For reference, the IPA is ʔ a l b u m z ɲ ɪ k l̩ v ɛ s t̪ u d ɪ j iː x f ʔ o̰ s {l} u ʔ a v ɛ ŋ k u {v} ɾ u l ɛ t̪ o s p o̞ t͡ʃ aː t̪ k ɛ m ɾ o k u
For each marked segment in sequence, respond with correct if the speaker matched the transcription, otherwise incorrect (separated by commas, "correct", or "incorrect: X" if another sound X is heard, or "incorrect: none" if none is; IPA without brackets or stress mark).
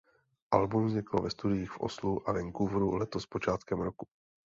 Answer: correct, correct